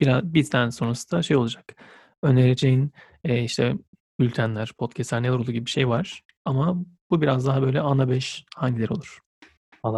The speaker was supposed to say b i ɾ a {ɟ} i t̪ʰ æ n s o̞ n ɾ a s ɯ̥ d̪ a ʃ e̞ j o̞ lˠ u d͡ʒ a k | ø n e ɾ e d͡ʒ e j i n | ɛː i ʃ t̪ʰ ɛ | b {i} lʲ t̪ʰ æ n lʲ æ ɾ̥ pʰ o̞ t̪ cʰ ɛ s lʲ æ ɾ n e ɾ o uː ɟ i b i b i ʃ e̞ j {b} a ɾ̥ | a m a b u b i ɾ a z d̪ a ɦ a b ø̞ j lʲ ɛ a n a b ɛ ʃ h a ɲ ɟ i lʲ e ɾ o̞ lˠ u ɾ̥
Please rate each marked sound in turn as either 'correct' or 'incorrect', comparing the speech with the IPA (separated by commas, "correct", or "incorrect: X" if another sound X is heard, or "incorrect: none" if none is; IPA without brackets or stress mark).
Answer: incorrect: b, incorrect: y, incorrect: v